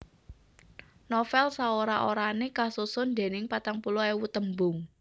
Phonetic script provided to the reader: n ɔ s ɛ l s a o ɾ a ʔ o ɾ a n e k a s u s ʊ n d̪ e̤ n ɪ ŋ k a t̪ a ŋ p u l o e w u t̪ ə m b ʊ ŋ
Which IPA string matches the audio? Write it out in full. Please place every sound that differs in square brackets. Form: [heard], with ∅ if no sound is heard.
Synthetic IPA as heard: n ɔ [f] ɛ l s a o ɾ a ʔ o ɾ a n e k a s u s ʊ n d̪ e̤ n ɪ ŋ [p] a t̪ a ŋ p u l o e w u t̪ ə m b ʊ ŋ